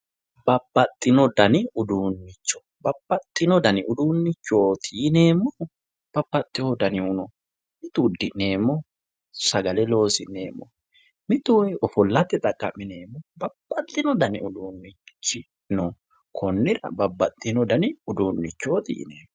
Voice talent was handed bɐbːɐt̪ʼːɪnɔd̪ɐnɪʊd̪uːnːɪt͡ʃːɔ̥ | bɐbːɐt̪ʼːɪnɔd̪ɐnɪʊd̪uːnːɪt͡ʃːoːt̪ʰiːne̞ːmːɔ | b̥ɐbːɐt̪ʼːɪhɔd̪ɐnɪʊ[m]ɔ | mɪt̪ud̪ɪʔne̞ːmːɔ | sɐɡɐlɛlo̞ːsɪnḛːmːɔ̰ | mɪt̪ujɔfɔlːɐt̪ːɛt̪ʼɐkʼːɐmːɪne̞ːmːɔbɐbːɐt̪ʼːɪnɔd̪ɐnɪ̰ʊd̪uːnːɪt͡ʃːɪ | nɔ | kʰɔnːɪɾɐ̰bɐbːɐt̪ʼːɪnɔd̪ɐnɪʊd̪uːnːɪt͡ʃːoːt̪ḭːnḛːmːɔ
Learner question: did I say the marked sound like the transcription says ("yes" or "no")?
no